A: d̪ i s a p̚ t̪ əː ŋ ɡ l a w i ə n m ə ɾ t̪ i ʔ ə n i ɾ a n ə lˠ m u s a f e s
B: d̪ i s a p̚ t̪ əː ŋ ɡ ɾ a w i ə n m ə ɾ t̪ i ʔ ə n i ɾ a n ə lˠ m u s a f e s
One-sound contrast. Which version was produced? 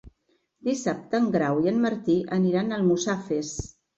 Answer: B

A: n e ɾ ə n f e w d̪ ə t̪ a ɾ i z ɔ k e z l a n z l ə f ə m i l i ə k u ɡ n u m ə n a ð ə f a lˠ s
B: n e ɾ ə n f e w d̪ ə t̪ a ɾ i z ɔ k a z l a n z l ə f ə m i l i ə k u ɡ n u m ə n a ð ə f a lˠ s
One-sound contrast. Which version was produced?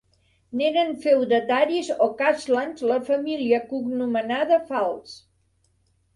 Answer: B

